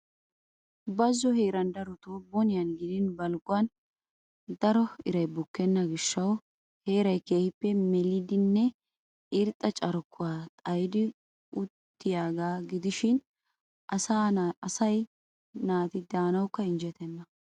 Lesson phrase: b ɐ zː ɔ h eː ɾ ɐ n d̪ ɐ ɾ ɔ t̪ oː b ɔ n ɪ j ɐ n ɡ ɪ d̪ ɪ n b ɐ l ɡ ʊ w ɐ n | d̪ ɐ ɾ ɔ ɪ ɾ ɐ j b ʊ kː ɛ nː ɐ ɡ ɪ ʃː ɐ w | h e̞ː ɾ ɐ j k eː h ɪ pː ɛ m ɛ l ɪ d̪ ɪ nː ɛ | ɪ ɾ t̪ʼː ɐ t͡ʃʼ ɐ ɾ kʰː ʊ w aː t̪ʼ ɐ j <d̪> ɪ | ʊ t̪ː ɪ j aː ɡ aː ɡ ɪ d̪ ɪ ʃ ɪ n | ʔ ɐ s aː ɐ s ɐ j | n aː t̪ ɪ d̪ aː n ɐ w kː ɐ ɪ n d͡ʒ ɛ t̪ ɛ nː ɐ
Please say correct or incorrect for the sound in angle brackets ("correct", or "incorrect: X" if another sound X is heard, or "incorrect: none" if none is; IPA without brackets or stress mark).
correct